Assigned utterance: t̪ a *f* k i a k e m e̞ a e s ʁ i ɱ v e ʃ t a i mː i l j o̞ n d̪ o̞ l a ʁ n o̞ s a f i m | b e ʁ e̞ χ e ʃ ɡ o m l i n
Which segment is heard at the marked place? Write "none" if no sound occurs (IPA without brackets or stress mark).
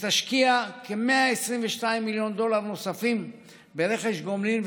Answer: ʃ